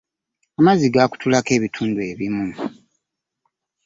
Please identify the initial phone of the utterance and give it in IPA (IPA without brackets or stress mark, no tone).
a